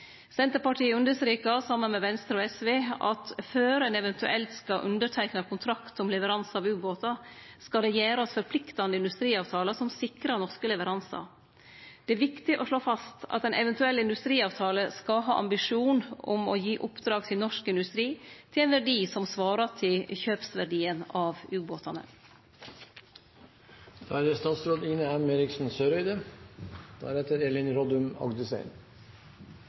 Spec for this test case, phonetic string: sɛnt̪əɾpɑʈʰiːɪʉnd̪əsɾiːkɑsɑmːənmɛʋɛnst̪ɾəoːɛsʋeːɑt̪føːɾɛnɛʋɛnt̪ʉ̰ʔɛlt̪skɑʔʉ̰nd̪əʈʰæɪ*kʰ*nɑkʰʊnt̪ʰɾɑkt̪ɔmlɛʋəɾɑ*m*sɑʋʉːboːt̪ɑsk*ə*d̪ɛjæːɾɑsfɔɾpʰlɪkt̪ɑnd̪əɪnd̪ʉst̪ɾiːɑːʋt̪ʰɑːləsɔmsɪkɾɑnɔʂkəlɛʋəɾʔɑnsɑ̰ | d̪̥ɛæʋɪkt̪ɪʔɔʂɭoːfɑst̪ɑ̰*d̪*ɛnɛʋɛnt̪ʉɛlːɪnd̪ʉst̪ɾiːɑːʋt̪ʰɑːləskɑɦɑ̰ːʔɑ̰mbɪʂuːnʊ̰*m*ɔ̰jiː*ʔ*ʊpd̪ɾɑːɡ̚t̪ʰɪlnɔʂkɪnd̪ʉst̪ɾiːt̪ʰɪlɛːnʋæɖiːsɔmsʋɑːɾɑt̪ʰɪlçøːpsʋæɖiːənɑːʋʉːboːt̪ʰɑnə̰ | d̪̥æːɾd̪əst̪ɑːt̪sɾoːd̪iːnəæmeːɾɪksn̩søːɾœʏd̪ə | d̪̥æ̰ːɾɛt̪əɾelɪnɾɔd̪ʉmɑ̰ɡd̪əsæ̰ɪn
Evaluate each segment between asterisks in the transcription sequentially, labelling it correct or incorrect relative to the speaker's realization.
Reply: incorrect, incorrect, incorrect, incorrect, correct, correct

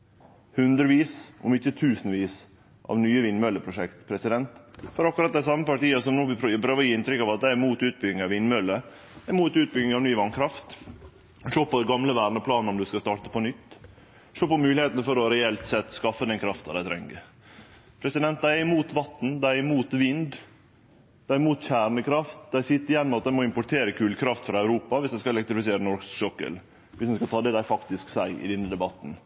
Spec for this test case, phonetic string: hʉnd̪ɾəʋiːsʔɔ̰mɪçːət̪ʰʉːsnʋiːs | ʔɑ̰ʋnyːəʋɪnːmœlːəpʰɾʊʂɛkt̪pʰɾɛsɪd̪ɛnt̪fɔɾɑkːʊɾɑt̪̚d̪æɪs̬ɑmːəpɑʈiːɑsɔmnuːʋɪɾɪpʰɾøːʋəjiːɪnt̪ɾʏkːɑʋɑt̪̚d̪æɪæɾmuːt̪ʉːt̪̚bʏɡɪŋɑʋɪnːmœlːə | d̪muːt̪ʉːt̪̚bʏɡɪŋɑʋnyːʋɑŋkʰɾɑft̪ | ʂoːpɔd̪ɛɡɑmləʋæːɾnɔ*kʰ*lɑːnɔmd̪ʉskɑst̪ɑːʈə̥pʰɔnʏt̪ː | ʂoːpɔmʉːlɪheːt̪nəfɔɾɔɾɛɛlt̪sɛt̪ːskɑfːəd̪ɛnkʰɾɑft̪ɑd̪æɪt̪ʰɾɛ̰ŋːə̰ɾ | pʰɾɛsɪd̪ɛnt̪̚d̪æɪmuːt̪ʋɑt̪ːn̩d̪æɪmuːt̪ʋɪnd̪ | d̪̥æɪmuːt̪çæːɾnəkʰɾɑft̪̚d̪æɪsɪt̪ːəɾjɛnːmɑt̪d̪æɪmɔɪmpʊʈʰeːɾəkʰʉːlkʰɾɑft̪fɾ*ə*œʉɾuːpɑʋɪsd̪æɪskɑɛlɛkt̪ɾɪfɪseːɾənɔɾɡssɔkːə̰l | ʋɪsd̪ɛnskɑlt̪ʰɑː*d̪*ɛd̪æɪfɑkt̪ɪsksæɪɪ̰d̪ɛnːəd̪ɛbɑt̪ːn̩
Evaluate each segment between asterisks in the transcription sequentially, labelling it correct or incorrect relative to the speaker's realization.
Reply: incorrect, incorrect, correct

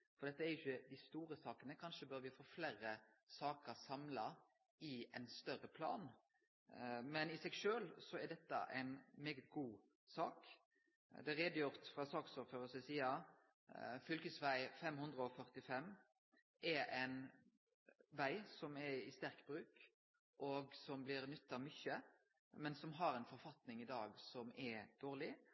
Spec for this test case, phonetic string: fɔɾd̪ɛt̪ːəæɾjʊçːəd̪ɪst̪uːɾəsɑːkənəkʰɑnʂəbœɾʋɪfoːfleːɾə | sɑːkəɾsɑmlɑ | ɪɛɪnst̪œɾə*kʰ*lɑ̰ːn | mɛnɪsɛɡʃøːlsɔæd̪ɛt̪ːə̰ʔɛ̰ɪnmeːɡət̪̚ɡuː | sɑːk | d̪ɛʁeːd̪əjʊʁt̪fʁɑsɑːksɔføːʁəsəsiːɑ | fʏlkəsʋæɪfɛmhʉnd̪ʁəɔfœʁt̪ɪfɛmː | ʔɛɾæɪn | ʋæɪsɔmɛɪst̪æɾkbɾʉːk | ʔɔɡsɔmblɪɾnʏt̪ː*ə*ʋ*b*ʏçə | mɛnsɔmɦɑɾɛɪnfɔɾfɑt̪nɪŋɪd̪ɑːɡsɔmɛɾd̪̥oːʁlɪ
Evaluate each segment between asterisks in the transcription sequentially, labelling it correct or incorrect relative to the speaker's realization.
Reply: incorrect, incorrect, incorrect

